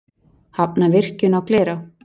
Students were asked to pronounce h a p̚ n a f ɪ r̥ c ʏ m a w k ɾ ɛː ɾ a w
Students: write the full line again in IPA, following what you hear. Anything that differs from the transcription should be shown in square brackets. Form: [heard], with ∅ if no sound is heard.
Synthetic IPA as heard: h a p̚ n a [v] ɪ r̥ c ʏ [n] a w k [l] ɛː ɾ a w